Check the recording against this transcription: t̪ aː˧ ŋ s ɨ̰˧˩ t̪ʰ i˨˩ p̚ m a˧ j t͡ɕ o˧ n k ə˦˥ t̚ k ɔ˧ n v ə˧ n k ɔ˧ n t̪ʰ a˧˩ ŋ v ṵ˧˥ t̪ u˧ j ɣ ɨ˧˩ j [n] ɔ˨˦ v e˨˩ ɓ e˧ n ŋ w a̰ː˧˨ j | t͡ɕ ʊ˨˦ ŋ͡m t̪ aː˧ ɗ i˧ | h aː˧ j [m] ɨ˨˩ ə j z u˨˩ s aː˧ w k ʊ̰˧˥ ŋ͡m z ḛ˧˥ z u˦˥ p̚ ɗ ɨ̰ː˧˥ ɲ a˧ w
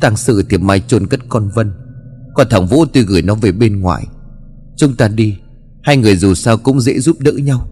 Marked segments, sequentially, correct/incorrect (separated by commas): correct, incorrect